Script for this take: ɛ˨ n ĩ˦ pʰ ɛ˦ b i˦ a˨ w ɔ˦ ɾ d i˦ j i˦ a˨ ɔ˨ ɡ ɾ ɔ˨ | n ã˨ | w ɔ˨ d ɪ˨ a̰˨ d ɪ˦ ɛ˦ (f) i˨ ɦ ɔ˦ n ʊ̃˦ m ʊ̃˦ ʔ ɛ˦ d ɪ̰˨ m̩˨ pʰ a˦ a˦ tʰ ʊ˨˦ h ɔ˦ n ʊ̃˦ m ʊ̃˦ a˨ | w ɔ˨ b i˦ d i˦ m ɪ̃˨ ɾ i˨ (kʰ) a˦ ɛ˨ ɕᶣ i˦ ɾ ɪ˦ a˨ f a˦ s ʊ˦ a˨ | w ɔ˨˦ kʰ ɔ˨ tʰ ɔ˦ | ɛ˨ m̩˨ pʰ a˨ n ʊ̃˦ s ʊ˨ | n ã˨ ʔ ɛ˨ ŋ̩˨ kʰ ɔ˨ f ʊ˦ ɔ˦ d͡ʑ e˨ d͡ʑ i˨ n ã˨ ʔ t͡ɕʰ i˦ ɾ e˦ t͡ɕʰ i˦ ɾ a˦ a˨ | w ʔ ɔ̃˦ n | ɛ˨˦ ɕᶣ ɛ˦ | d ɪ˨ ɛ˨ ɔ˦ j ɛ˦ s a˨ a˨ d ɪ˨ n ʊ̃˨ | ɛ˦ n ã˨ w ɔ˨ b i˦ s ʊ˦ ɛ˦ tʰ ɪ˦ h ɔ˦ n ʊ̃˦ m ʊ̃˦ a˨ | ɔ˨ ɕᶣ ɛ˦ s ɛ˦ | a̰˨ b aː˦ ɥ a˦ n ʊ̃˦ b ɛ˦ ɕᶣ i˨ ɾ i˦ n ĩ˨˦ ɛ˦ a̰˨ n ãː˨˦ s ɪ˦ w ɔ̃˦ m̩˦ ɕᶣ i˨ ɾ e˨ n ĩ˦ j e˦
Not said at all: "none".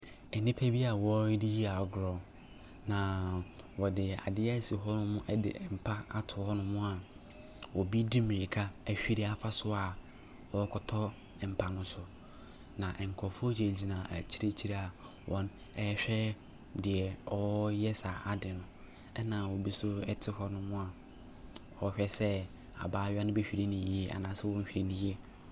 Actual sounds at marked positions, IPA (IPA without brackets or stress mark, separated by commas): s, kʰ